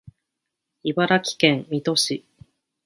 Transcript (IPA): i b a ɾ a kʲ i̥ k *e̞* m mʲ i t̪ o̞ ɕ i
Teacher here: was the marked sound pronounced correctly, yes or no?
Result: no